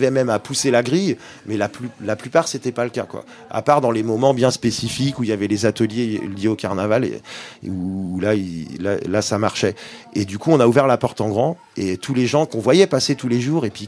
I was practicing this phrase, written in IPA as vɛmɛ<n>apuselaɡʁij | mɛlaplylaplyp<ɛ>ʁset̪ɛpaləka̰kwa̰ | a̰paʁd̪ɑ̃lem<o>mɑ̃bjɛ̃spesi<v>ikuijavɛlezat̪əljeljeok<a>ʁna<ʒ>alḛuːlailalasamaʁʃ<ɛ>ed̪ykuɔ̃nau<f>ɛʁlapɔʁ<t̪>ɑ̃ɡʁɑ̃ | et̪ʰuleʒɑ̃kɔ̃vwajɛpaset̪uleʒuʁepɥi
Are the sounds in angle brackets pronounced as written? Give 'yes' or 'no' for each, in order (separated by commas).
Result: no, no, no, no, yes, no, yes, no, yes